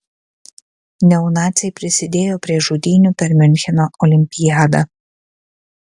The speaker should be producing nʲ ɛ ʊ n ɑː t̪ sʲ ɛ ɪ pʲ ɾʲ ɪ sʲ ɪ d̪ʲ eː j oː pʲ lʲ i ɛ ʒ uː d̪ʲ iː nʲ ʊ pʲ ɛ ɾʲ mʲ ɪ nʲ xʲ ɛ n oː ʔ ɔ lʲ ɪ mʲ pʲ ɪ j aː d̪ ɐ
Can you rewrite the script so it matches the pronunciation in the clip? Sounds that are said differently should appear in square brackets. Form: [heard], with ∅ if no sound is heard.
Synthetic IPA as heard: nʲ ɛ ʊ n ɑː t̪ sʲ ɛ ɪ pʲ ɾʲ ɪ sʲ ɪ d̪ʲ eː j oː pʲ [ɾʲ] i ɛ ʒ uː d̪ʲ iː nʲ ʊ pʲ ɛ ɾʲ mʲ ɪ nʲ xʲ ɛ n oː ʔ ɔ lʲ ɪ mʲ pʲ ɪ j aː d̪ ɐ